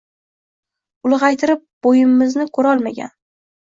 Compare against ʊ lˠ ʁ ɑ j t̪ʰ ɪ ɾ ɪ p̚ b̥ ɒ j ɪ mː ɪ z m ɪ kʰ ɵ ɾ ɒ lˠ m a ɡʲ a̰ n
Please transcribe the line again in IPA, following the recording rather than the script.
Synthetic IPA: ʊ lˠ ʁ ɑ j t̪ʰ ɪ ɾ ɪ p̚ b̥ o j ɪ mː ɪ z n ɪ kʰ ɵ ɾ ɒ lˠ m a ɡʲ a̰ n